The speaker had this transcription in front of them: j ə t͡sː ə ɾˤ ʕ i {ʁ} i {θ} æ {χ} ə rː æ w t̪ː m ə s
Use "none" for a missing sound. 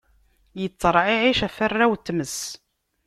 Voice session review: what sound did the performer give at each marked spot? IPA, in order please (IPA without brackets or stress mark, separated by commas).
ʕ, ʃ, f